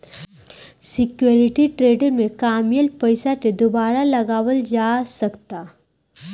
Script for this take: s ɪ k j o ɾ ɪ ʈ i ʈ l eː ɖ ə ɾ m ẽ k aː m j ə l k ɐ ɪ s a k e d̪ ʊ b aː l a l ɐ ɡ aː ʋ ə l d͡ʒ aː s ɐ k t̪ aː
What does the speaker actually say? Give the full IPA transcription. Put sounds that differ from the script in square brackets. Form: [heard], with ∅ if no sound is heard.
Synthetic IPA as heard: s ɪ k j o ɾ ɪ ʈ i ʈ [ɾ] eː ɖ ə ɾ m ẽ k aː m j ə l [p] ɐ ɪ s a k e d̪ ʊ b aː [ɾ] a l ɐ ɡ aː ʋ ə l d͡ʒ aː s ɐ k t̪ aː